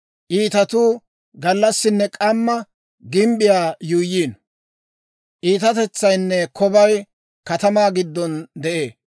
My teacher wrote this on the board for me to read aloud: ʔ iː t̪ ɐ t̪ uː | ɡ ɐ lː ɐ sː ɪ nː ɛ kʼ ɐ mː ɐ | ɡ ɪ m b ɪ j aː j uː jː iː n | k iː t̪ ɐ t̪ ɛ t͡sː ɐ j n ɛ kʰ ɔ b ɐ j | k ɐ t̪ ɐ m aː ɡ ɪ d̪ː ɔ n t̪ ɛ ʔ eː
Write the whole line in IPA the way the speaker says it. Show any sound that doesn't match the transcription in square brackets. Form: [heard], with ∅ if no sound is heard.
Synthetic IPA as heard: ʔ iː t̪ ɐ t̪ uː | ɡ ɐ lː ɐ sː ɪ nː ɛ kʼ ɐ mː ɐ | ɡ ɪ m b ɪ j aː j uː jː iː n | [ʔ] iː t̪ ɐ t̪ ɛ t͡sː ɐ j [nː] ɛ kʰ ɔ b ɐ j | k ɐ t̪ ɐ m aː ɡ ɪ d̪ː ɔ n [d̪] ɛ ʔ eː